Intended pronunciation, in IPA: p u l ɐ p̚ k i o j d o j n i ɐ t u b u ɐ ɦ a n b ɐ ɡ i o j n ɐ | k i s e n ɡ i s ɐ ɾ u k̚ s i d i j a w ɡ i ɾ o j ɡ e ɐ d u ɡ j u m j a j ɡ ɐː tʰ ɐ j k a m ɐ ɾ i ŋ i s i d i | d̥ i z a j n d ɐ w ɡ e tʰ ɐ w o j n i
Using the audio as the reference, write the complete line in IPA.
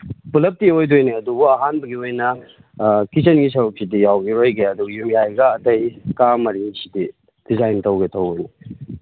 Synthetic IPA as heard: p u l ɐ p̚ t i o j d o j n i ɐ d u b u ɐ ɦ a n b ɐ ɡ i o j n ɐ | k i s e n ɡ i s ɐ ɾ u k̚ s i d i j a w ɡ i ɾ o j ɡ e ɐ d u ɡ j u m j a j ɡ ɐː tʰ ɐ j k a m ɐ ɾ i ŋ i s i d i | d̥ i z a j n t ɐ w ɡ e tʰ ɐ w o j n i

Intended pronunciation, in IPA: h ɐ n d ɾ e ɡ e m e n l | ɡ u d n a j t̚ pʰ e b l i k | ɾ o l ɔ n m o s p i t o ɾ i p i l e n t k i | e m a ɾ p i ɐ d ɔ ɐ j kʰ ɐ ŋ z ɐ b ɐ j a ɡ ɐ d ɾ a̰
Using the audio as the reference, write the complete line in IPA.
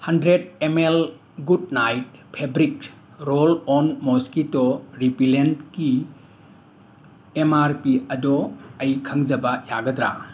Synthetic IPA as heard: h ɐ n d ɾ e d e m e l | ɡ u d n a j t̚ pʰ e b ɾ i k | ɾ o l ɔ n m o s k i t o ɾ i p i l e n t k i | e m a ɾ p i ɐ d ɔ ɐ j kʰ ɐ ŋ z ɐ b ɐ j a ɡ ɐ d ɾ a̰

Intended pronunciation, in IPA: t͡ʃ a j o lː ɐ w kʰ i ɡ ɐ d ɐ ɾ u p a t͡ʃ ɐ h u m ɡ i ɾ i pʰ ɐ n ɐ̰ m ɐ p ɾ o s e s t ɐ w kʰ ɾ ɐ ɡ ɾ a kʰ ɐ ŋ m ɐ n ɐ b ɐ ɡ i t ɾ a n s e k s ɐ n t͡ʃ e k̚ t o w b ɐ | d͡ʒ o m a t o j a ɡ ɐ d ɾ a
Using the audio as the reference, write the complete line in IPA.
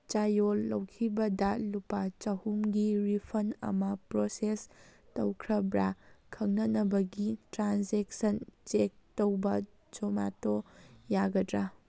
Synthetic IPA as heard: t͡ʃ a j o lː ɐ w kʰ i b ɐ d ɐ l u p a t͡ʃ ɐ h u m ɡ i ɾ i pʰ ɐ n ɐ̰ m ɐ p ɾ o s e s t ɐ w kʰ ɾ ɐ b ɾ a kʰ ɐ ŋ n ɐ n ɐ b ɐ ɡ i t ɾ a n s e k s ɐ n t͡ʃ e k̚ t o w b ɐ | d͡ʒ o m a t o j a ɡ ɐ d ɾ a

